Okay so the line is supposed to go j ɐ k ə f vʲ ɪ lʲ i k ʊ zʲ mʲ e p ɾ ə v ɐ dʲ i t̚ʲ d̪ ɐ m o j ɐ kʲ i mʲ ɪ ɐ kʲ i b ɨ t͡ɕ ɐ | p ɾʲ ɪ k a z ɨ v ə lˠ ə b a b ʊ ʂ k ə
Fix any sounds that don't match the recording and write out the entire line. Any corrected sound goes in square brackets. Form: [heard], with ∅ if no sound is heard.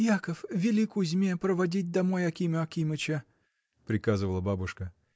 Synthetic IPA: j [a] k ə f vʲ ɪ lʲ i k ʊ zʲ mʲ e p ɾ ə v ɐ dʲ i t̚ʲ d̪ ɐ m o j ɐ kʲ i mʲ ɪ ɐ kʲ i [m] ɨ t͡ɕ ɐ | p ɾʲ ɪ k a z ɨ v ə lˠ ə b a b ʊ ʂ k ə